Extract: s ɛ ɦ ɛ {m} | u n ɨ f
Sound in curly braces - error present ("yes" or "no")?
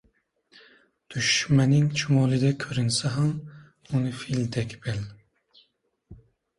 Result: no